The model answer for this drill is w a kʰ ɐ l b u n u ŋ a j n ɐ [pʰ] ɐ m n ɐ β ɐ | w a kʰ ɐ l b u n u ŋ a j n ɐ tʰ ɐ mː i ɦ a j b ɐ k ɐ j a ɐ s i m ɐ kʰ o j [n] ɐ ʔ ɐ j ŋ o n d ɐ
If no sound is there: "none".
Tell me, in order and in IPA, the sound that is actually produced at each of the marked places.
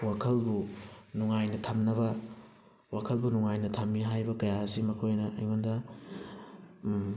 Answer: tʰ, n

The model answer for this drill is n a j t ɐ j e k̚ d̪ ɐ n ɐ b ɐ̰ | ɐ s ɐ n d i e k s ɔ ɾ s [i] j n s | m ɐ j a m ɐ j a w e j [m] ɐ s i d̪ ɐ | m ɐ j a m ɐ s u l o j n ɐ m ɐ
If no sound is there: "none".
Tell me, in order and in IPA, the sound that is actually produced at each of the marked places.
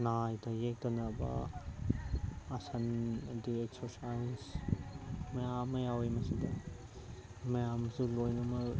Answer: a, m

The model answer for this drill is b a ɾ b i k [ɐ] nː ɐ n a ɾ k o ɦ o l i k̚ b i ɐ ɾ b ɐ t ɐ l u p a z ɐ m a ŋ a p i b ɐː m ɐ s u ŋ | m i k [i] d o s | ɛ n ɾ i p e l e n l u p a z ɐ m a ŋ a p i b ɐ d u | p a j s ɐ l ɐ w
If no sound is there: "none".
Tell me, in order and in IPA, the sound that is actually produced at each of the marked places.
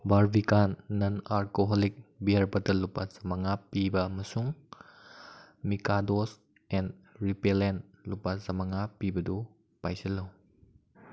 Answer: a, a

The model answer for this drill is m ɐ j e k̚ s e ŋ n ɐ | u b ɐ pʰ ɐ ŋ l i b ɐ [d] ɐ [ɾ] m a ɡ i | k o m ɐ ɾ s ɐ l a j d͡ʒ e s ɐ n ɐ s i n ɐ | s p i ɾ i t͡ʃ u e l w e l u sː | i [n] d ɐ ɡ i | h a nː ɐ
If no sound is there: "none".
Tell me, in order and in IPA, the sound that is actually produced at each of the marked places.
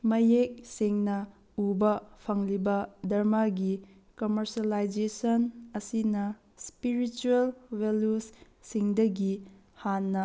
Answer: d, ɾ, ŋ

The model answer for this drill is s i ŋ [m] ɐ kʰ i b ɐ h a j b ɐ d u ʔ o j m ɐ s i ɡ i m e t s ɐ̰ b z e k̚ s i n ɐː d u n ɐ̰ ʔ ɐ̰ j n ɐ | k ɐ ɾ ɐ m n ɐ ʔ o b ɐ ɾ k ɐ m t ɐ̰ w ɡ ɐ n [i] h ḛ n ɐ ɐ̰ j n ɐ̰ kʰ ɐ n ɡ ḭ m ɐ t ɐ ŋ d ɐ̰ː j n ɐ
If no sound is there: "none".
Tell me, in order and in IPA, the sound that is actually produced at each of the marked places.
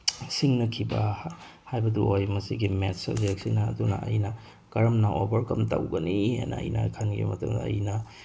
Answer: n, i

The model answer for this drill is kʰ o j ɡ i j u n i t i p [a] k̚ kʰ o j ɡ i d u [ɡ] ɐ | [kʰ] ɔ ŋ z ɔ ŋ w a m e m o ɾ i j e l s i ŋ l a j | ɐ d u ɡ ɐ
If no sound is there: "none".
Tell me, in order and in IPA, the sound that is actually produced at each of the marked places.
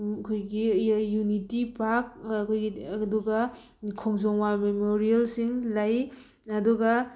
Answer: a, ɡ, kʰ

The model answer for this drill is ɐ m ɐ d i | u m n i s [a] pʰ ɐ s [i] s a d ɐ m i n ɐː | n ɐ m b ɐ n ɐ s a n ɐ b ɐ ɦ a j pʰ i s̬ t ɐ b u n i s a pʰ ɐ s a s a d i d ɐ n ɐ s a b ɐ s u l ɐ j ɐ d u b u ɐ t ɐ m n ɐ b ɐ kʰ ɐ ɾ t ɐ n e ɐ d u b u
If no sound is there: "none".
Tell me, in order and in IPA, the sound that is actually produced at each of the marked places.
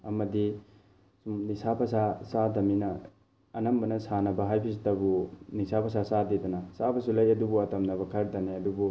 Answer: a, a

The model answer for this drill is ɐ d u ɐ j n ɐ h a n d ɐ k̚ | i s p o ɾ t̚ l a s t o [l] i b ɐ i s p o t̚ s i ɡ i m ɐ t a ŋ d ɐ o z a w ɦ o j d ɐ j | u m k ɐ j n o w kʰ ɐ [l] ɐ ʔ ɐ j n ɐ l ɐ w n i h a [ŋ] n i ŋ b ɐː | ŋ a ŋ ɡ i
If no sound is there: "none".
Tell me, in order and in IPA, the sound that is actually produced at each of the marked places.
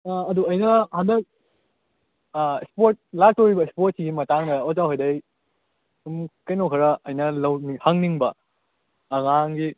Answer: ɾ, ɾ, ŋ

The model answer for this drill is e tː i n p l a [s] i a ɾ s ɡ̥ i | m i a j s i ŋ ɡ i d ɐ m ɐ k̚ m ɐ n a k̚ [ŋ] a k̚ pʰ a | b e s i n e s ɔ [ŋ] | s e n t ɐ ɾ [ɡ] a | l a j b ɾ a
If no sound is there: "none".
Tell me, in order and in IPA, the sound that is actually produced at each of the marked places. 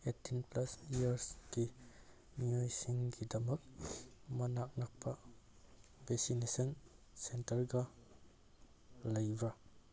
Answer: s, n, n, ɡ

